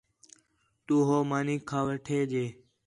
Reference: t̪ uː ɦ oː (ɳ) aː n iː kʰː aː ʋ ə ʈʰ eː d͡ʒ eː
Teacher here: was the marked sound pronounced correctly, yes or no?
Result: no